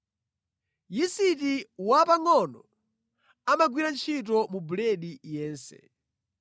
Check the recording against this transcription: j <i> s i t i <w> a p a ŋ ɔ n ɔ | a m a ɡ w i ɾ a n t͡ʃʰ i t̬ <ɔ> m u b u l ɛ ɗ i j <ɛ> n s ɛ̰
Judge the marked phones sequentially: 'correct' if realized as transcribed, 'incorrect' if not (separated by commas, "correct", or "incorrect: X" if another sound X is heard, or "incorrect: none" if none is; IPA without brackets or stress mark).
correct, correct, correct, incorrect: ɛː